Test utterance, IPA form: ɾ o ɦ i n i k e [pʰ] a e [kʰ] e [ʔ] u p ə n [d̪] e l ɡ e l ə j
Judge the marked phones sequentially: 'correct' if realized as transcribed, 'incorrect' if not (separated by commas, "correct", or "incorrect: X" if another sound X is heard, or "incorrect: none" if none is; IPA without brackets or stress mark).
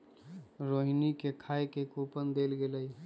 incorrect: kʰ, incorrect: k, incorrect: k, correct